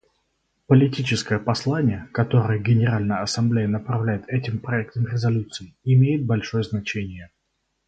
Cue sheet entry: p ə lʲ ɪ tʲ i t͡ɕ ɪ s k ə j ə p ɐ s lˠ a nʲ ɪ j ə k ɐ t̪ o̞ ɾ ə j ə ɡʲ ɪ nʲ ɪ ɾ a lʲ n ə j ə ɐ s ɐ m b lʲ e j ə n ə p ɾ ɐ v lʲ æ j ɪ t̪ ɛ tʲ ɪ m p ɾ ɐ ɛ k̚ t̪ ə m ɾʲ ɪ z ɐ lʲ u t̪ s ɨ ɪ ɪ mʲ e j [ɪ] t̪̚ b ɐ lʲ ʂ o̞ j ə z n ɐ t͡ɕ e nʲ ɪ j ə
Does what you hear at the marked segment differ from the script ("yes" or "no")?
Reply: no